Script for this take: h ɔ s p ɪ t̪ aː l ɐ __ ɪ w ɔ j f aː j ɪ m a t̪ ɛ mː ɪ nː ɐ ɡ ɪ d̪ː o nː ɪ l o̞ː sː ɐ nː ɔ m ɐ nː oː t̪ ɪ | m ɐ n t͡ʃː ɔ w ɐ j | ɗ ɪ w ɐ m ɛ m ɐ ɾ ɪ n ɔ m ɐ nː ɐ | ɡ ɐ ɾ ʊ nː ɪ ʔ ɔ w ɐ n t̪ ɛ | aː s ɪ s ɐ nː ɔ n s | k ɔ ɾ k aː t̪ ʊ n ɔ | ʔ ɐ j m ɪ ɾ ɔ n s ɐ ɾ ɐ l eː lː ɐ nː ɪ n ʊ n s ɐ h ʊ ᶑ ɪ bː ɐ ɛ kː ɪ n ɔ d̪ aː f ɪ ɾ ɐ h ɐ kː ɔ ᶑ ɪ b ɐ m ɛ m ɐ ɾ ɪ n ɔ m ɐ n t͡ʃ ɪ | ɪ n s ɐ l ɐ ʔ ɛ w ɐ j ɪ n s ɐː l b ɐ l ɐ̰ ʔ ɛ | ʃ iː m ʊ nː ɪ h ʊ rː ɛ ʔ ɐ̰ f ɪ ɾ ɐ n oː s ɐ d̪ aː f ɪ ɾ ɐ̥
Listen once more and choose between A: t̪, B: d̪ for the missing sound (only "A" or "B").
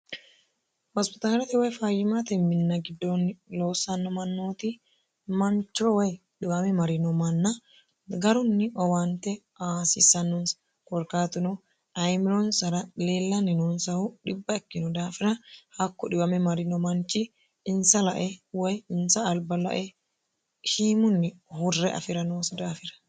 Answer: A